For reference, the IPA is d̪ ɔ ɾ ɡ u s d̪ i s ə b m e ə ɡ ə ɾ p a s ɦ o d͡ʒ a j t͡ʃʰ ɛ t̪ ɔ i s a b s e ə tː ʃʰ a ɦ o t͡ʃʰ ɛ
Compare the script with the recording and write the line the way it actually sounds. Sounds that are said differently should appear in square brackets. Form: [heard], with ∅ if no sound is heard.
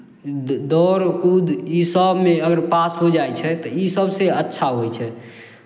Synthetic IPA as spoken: d̪ ɔ ɾ [k] u [∅] d̪ i s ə b m e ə ɡ ə ɾ p a s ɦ o d͡ʒ a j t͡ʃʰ ɛ t̪ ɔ i s [ə] b s e ə tː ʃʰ a ɦ o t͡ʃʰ ɛ